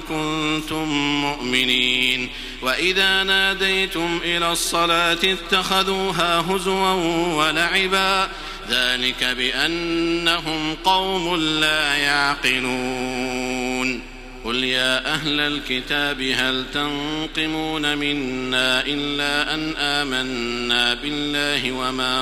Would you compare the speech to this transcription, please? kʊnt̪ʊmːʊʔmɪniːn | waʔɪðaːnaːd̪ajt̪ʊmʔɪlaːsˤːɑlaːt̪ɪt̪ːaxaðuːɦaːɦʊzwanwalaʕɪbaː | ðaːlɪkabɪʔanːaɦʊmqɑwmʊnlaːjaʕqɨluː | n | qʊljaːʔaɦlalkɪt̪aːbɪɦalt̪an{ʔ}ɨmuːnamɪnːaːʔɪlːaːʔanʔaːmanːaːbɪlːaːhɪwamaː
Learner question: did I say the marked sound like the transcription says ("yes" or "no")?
no